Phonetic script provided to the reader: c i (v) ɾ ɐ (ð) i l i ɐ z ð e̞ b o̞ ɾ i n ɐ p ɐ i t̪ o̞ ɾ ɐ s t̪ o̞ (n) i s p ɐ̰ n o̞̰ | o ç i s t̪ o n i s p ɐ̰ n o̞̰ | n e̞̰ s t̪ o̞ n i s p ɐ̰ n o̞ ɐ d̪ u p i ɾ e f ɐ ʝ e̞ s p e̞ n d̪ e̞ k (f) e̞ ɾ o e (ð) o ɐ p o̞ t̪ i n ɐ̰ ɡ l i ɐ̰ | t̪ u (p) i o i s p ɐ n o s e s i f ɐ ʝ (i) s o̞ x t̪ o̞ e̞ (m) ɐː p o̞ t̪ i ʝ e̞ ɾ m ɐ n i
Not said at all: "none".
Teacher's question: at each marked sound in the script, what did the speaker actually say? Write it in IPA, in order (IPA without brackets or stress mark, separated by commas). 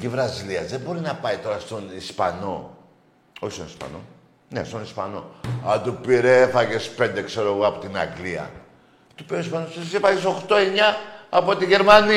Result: v, z, n, s, ɣ, p, e, ɲ